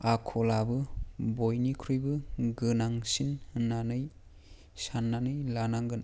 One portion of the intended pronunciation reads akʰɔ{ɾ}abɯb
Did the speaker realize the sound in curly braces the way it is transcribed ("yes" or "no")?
no